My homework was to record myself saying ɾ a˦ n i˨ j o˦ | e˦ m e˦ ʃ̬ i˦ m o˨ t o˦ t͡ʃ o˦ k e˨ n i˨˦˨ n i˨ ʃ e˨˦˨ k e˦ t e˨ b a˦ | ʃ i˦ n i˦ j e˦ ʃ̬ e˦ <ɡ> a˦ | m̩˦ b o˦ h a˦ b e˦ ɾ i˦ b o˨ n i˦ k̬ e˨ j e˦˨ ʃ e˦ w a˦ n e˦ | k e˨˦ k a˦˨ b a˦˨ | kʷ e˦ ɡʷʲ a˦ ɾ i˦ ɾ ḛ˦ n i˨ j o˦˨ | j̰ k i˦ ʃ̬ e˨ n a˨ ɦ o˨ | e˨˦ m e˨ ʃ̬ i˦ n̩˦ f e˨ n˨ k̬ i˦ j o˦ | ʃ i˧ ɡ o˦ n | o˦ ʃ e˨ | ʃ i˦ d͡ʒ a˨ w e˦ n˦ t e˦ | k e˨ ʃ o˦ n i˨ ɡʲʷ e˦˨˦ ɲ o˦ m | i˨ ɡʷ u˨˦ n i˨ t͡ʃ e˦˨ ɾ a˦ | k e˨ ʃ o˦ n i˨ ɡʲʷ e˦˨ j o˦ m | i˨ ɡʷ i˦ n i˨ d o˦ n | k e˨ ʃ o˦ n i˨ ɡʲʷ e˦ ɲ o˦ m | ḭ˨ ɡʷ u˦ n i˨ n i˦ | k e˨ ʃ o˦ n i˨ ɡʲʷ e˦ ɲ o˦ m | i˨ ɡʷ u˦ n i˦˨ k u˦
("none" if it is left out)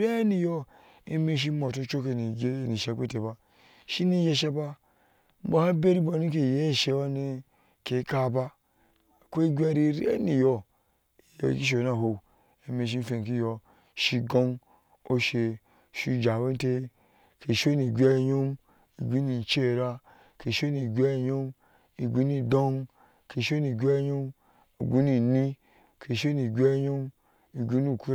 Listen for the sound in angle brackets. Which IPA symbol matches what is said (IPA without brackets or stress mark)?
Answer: b